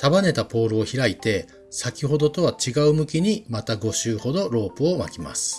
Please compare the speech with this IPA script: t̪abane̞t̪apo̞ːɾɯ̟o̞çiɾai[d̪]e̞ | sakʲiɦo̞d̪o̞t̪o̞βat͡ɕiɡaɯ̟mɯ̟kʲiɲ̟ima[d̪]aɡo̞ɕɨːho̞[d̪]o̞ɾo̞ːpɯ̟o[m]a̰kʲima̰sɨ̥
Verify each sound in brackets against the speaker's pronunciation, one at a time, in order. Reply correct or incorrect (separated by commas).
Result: incorrect, incorrect, correct, correct